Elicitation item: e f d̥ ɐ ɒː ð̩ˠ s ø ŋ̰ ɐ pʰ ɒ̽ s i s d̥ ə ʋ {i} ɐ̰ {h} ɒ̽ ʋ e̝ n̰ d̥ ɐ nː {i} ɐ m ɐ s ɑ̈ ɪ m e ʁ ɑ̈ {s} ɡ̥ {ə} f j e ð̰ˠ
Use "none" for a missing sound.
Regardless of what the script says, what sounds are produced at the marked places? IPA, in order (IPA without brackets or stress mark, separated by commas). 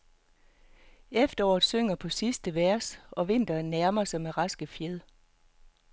æ, s, æ, s, ə